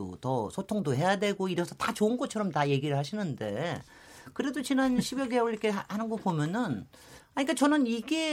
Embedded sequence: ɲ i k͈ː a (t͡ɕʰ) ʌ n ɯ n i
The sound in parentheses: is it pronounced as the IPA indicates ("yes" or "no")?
no